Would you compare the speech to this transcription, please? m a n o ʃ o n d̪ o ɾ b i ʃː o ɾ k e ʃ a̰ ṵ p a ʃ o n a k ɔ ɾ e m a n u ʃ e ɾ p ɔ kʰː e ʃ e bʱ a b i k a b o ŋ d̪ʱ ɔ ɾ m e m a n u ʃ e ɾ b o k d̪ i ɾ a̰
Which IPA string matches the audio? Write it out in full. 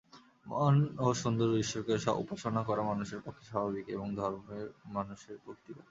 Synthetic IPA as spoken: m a n o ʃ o n d̪ o ɾ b i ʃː o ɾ k e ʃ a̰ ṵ p a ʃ o n a k ɔ ɾ a m a n u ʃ e ɾ p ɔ kʰː e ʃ a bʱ a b i k e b o ŋ d̪ʱ ɔ ɾ m e m a n u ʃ e ɾ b o k t̪ i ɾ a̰